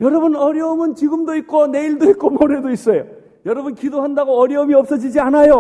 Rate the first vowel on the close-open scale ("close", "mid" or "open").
mid